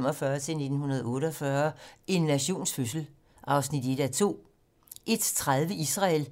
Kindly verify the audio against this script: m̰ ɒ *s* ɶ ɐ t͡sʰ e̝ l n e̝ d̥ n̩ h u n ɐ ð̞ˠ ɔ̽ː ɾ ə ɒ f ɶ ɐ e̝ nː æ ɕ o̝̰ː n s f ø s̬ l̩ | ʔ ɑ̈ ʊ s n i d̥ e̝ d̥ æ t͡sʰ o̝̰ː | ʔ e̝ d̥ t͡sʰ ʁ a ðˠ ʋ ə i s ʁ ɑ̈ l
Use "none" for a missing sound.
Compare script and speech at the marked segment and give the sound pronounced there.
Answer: f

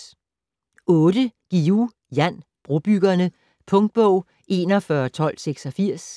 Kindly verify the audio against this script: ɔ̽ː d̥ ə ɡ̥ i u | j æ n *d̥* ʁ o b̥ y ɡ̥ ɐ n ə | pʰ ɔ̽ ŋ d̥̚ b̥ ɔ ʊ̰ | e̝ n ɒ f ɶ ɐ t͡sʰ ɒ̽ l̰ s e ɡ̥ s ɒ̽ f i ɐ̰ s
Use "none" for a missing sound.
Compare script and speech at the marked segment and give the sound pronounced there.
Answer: b̥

